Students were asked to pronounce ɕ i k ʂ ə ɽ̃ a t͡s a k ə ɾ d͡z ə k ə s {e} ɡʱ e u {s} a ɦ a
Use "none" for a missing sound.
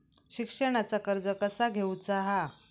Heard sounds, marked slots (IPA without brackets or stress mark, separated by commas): a, t͡s